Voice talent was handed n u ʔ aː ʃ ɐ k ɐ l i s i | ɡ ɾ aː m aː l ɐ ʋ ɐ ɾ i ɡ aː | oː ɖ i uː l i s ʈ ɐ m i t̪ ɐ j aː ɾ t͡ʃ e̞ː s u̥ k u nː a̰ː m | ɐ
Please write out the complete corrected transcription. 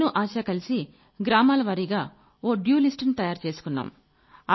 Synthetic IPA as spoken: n u ʔ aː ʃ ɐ k ɐ l i s i | ɡ ɾ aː m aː l ɐ ʋ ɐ ɾ i ɡ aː | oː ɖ j uː l i s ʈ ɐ n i t̪ ɐ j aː ɾ t͡ʃ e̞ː s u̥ k u nː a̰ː m | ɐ